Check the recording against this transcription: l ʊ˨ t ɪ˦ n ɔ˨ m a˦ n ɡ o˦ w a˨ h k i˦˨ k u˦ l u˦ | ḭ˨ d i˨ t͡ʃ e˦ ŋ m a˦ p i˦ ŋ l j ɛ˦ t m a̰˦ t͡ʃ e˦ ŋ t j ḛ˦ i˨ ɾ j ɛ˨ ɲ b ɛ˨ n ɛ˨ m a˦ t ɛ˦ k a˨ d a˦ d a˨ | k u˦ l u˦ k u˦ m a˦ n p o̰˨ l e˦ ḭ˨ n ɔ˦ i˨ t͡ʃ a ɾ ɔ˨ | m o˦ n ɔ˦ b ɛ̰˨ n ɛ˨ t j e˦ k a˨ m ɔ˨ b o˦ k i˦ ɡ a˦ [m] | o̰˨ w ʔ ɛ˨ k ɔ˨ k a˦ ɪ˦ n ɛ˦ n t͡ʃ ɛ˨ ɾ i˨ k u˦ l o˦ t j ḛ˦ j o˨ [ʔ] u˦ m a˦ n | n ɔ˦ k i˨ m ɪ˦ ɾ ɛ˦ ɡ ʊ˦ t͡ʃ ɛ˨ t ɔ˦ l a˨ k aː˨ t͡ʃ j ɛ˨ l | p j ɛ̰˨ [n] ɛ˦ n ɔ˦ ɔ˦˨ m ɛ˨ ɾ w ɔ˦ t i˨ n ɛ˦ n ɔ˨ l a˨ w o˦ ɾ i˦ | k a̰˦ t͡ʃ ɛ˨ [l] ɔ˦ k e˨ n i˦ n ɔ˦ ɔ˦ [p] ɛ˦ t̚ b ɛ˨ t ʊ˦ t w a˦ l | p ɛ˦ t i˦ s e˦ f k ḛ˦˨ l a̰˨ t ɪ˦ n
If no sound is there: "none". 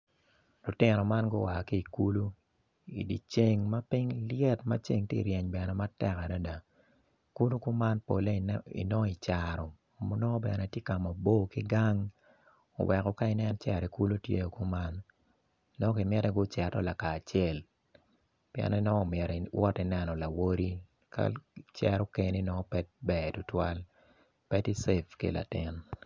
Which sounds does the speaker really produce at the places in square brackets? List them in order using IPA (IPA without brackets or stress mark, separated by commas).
ŋ, k, n, ɾ, p